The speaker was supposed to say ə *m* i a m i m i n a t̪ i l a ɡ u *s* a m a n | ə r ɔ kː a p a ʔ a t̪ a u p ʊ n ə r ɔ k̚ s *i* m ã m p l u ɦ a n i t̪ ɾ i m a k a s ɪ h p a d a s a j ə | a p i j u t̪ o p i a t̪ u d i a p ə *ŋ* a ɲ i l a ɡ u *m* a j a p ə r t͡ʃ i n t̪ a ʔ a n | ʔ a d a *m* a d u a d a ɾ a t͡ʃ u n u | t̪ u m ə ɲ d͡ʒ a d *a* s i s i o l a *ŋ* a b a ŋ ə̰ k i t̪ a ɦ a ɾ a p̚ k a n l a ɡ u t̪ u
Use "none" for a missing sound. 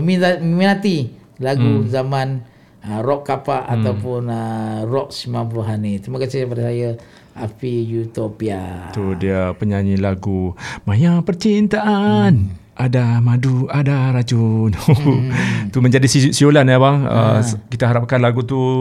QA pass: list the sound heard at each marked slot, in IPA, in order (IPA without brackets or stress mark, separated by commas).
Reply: m, z, i, ɲ, m, m, i, n